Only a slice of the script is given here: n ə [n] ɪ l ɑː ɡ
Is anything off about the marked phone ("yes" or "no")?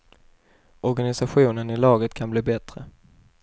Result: no